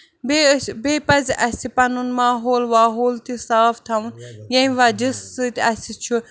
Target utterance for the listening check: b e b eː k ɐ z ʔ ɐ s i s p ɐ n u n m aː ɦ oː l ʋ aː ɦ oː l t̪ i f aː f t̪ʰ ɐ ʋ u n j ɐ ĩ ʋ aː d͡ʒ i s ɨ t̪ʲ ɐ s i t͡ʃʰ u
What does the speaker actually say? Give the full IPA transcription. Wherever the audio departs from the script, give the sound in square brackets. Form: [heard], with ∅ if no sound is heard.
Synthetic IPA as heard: b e b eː [p] ɐ z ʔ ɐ s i [∅] p ɐ n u n m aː ɦ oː l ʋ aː ɦ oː l t̪ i [s] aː f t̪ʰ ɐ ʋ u n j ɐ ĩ ʋ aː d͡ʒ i s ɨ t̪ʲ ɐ s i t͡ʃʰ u